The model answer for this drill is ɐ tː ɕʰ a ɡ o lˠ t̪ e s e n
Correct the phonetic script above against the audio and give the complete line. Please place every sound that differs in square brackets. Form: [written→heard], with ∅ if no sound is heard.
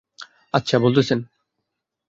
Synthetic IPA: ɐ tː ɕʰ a [ɡ→b] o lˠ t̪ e s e n

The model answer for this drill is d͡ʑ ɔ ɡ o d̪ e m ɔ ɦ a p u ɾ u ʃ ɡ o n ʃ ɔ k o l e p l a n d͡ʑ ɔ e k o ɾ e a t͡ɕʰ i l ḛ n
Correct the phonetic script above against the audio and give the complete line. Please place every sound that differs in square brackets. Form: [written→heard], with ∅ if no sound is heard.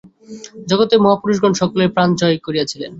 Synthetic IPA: d͡ʑ ɔ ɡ o [d̪→t̪] e m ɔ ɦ a p u ɾ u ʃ ɡ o n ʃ ɔ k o l e p [l→ɾ] a n d͡ʑ ɔ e k o ɾ [e→i] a t͡ɕʰ i l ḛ n

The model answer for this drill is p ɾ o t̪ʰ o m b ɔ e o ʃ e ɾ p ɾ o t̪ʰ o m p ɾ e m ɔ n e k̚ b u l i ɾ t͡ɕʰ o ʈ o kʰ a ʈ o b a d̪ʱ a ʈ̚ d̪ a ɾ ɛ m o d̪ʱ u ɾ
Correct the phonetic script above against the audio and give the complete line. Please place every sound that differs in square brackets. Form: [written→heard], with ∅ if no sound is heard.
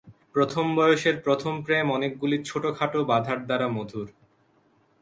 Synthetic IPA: p ɾ o t̪ʰ o m b ɔ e o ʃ e ɾ p ɾ o t̪ʰ o m p ɾ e m ɔ n e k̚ [b→ɡ] u l i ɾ t͡ɕʰ o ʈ o kʰ a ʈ o b a d̪ʱ a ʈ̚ d̪ a ɾ [ɛ→a] m o d̪ʱ u ɾ

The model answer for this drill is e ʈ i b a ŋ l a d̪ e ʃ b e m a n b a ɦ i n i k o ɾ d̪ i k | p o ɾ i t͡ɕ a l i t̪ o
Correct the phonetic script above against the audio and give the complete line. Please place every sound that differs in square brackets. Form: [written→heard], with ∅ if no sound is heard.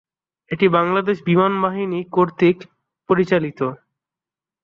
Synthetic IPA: e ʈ i b a ŋ l a d̪ e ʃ b [e→i] m a n b a ɦ i n i k o ɾ [d̪→t̪] i k | p o ɾ i t͡ɕ a l i t̪ o

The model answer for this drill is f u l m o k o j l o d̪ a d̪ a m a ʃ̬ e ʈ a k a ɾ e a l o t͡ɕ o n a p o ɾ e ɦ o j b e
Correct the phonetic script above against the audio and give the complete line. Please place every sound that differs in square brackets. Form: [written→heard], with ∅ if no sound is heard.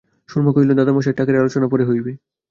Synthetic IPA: [f→ʃ] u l m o k o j l o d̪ a d̪ a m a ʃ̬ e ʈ a k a ɾ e a l o t͡ɕ o n a p o ɾ e ɦ o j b e

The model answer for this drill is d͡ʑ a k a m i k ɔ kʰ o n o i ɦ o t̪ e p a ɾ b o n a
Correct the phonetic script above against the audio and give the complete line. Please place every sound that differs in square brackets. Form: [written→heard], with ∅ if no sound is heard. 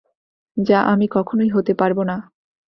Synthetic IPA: d͡ʑ a [k→ʔ] a m i k ɔ kʰ o n o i ɦ o t̪ e p a ɾ b o n a

